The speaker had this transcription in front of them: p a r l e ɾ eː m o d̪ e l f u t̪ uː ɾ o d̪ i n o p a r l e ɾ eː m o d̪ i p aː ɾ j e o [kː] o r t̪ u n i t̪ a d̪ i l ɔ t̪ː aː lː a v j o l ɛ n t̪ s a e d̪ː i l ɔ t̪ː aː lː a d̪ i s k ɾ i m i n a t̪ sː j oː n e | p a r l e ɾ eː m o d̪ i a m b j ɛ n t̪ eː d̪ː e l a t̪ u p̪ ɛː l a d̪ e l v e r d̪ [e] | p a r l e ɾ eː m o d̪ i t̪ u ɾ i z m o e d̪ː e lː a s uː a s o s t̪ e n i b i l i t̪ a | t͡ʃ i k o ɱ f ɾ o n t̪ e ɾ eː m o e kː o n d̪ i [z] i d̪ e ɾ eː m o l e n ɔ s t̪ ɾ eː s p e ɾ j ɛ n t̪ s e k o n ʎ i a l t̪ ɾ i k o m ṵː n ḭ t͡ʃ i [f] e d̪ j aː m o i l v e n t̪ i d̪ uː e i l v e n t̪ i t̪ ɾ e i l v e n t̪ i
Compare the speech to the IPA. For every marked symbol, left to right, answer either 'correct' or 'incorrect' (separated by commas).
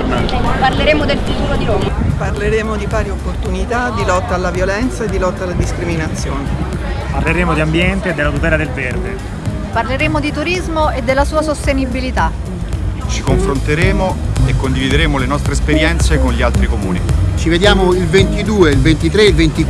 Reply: incorrect, correct, incorrect, incorrect